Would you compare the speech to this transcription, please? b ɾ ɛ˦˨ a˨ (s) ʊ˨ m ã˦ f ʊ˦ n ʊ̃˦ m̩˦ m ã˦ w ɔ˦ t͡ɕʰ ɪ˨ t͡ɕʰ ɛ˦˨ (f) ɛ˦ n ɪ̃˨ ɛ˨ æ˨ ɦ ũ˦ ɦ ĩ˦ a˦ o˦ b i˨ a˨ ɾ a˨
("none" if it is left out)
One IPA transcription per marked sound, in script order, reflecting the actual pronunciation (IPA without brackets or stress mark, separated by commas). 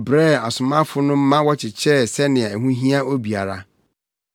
s, s